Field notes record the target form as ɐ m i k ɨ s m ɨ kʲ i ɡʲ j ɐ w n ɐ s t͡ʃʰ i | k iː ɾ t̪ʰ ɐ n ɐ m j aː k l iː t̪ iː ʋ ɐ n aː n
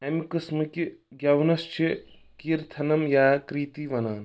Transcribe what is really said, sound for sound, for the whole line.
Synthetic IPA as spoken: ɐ m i k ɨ s m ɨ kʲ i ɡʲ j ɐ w n ɐ s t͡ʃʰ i | k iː ɾ t̪ʰ ɐ n ɐ m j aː k ɾ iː t̪ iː ʋ ɐ n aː n